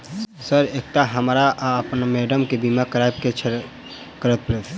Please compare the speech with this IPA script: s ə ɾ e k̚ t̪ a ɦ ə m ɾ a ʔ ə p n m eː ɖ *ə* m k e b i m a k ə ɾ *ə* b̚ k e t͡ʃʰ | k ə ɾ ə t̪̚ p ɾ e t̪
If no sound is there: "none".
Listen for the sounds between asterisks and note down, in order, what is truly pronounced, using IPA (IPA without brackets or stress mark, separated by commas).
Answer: ə, a